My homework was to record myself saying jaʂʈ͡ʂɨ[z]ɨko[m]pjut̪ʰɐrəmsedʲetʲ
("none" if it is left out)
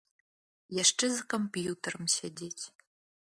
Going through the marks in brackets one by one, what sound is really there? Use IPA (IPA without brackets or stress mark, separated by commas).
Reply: z, m